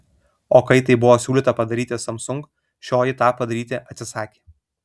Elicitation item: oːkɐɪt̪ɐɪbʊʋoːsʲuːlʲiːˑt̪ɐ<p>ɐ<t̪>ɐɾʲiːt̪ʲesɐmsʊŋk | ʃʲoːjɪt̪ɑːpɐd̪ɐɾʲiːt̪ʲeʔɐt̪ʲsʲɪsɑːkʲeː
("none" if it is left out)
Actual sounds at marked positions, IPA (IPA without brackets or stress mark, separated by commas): p, d̪